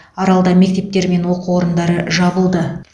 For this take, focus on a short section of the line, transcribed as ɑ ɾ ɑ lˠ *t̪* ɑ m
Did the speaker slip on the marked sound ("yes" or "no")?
yes